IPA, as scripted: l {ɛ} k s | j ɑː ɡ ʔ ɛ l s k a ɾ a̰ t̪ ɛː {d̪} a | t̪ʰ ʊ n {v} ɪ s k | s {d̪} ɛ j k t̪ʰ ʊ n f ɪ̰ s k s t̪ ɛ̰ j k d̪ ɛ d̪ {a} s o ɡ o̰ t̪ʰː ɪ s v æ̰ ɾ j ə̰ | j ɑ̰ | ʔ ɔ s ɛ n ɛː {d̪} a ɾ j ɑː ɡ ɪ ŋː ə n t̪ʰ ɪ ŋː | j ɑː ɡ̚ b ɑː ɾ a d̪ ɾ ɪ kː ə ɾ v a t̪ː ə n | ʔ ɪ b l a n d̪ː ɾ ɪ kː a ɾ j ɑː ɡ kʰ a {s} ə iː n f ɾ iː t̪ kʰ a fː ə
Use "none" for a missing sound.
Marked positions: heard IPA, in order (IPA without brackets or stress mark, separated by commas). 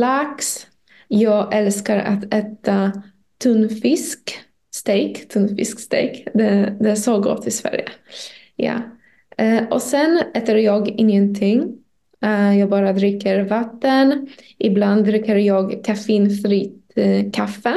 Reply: a, t̪, f, t̪, ɛ, t̪, f